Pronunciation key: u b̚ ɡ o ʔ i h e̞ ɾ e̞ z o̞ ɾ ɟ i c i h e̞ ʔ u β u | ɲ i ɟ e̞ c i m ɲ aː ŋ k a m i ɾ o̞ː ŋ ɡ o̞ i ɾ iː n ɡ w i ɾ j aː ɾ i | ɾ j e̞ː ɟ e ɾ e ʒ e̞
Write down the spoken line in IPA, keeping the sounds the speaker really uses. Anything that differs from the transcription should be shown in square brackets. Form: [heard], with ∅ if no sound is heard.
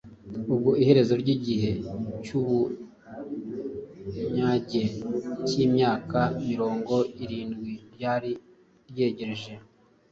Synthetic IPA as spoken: u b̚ ɡ o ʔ i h e̞ ɾ e̞ z o̞ ɾ ɟ i [ɟ] i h e̞ [c] u β u | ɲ [a] ɟ e̞ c i m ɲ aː [∅] k a m i ɾ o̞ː ŋ ɡ o̞ i ɾ iː n ɡ w i ɾ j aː ɾ i | ɾ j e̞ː ɟ e ɾ e ʒ e̞